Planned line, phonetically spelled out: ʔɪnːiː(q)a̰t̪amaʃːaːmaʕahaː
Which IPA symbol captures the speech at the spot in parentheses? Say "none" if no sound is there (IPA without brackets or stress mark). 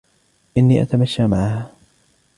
ʔ